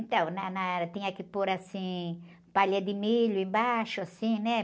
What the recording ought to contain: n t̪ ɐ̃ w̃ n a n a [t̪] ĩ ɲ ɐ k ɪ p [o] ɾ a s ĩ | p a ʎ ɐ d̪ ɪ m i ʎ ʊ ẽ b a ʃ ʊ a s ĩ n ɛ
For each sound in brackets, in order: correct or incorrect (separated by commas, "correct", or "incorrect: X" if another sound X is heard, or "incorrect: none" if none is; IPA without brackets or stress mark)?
correct, correct